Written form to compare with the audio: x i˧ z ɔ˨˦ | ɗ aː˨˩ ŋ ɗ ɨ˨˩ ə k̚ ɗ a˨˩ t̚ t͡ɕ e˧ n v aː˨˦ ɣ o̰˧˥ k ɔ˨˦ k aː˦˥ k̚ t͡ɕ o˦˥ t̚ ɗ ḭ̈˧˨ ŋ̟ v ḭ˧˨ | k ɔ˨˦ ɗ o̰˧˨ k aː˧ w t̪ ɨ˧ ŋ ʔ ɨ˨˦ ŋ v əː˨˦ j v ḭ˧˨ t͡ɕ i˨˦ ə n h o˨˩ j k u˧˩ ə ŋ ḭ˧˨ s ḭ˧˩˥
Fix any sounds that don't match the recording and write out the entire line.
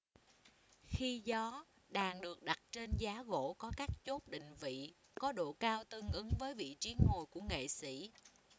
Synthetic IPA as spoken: x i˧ z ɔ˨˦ | ɗ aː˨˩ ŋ ɗ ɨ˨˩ ə k̚ ɗ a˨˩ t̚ t͡ɕ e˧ n z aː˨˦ ɣ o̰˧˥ k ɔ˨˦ k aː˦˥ k̚ t͡ɕ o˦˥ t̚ ɗ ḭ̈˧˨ ŋ̟ v ḭ˧˨ | k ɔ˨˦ ɗ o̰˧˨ k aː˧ w t̪ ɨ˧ ŋ ʔ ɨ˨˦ ŋ v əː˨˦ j v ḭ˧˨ t͡ɕ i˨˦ ə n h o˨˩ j k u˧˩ ə ŋ ḛ˧˨ s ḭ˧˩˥